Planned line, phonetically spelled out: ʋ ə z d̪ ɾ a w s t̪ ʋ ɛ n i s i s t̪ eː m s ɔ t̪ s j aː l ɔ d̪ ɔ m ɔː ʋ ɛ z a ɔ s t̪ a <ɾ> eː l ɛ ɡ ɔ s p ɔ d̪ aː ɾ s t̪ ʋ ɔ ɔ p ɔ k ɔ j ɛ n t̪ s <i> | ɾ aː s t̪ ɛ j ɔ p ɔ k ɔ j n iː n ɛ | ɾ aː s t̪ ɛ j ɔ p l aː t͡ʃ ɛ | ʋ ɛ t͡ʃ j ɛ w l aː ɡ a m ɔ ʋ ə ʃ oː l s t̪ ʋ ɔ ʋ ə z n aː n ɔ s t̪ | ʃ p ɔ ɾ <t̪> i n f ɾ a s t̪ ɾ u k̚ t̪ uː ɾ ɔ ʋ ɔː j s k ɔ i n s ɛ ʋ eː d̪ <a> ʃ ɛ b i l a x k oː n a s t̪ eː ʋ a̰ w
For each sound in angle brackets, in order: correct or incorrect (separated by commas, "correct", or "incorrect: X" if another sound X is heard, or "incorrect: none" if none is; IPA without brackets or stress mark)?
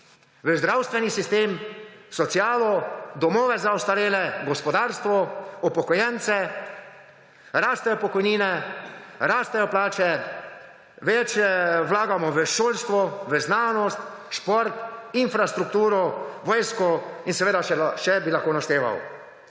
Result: correct, incorrect: ɛ, correct, correct